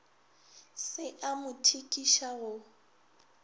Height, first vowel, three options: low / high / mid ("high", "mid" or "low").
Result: high